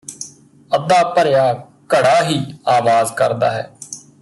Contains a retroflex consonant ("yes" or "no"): yes